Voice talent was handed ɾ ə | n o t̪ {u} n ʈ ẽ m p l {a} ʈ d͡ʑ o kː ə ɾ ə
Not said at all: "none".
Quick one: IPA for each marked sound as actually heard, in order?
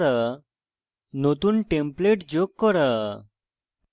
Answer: uː, e

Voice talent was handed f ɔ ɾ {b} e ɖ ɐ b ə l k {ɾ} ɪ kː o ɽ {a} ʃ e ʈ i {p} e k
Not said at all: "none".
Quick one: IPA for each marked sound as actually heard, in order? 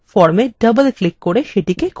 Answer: m, l, e, k

